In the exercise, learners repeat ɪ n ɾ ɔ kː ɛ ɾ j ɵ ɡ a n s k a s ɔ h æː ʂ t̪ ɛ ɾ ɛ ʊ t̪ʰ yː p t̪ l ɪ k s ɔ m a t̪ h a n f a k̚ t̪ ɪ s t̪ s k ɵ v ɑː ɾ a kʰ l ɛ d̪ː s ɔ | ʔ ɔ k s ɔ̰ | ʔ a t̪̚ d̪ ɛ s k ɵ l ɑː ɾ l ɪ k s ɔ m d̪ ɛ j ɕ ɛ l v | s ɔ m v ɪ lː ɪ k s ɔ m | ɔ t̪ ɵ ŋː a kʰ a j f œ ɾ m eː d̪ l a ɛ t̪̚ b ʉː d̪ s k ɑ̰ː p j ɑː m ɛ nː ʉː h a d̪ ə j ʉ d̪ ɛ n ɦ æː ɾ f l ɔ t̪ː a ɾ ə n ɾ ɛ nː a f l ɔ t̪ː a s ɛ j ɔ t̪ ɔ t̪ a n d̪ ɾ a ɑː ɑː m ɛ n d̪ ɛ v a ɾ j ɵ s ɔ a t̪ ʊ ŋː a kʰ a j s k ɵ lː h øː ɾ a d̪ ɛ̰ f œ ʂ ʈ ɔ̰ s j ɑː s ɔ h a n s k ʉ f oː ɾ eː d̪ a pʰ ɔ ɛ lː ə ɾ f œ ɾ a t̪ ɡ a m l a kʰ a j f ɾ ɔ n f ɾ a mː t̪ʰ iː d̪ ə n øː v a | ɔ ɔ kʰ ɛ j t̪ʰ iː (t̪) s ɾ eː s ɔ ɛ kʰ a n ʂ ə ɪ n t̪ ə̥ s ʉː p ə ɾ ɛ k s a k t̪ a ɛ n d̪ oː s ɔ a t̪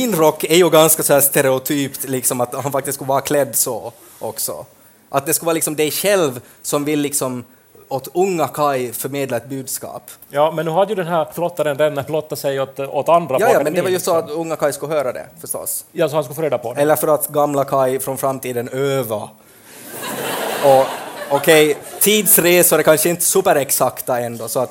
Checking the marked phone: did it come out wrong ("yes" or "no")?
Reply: yes